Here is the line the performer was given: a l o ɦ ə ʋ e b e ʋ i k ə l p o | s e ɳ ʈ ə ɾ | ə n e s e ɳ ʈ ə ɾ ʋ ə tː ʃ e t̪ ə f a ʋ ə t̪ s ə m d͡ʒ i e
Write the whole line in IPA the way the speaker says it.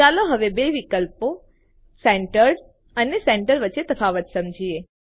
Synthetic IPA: a l o ɦ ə ʋ e b e ʋ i k ə l p o | s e ɳ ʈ ə ɾ | ə n e s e ɳ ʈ ə ɾ ʋ ə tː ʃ e t̪ ə f a ʋ ə t̪ s ə m d͡ʒ i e